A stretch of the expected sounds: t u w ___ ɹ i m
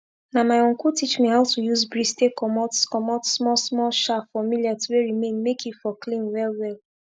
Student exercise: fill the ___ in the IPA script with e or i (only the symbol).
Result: e